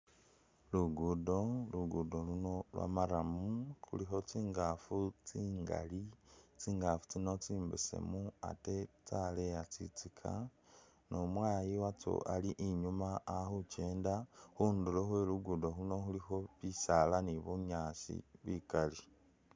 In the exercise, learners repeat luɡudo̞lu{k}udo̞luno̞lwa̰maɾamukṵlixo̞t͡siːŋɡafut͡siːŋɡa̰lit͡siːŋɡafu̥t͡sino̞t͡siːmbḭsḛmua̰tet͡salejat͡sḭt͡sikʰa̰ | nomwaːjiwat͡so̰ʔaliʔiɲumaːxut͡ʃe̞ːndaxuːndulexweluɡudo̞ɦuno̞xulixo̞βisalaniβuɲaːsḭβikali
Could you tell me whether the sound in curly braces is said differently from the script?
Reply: yes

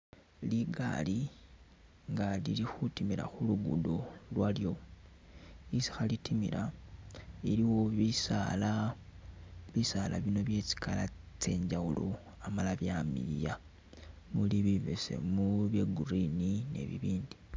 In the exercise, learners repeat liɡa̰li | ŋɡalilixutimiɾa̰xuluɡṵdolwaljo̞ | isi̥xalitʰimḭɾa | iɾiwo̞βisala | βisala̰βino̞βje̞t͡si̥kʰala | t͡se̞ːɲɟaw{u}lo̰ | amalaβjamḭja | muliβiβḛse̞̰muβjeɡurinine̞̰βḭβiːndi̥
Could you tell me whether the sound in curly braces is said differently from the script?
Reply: no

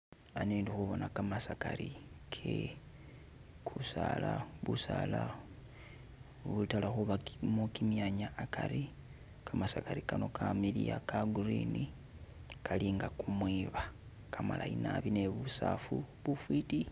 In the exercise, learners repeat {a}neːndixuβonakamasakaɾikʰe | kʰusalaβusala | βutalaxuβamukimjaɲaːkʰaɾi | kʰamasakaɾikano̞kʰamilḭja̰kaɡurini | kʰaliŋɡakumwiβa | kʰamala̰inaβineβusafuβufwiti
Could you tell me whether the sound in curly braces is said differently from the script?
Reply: no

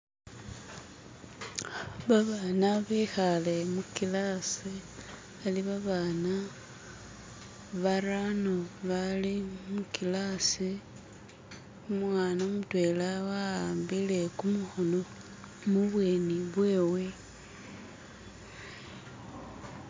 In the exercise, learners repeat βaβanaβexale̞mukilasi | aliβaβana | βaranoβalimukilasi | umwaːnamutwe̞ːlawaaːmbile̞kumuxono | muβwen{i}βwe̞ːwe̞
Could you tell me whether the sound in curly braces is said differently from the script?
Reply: no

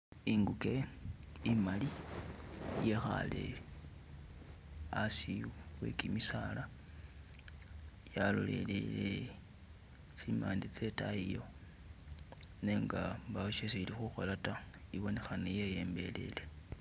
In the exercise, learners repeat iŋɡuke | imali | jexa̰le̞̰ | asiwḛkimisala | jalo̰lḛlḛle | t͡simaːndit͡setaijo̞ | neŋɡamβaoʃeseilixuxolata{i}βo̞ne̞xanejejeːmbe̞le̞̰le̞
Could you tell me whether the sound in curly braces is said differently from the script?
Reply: no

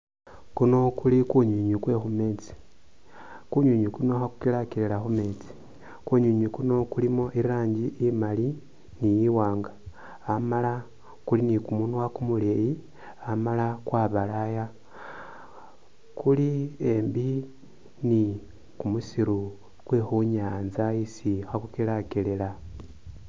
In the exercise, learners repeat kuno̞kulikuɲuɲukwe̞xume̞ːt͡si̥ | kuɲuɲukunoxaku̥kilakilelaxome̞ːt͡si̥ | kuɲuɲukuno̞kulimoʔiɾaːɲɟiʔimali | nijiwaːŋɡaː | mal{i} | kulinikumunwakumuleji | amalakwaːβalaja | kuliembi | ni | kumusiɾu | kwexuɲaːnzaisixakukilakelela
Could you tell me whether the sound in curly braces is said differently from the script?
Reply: yes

